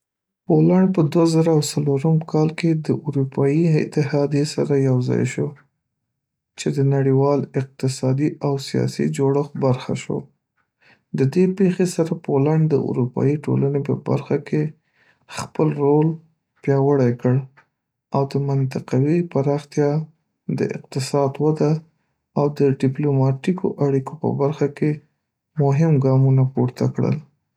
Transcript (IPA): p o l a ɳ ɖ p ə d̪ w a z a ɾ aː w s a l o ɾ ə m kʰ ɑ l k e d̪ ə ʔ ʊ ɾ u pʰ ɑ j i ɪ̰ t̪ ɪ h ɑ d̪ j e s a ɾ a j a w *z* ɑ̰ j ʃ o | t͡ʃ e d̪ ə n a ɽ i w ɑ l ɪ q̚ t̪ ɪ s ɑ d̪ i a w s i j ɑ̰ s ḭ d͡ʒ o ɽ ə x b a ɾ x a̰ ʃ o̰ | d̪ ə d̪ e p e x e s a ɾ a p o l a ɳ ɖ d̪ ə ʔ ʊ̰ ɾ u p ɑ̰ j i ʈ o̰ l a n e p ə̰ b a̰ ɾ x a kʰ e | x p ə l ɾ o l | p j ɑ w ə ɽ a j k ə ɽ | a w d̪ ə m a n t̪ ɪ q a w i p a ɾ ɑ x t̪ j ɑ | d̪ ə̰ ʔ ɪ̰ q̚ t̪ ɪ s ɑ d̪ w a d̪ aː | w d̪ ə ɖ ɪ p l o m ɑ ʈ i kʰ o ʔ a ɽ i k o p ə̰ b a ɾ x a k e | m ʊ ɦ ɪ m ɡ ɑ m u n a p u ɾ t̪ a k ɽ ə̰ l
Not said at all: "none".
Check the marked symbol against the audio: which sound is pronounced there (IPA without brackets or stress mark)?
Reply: z